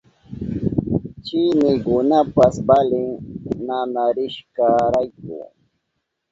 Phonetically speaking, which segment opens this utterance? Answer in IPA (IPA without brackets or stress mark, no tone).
t͡ʃ